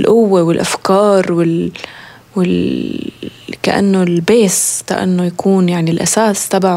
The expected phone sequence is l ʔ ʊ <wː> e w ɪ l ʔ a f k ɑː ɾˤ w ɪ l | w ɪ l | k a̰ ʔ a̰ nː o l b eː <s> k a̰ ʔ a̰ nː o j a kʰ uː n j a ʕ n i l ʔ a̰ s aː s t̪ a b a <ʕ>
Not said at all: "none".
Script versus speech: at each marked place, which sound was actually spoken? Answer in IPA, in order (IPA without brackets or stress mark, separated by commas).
wː, s, ʕ